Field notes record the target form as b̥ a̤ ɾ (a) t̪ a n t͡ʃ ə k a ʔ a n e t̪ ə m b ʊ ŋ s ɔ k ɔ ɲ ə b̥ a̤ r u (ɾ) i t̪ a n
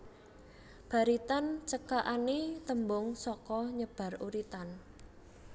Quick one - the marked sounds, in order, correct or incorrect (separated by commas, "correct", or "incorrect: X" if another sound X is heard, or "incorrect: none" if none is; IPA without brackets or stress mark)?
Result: incorrect: i, correct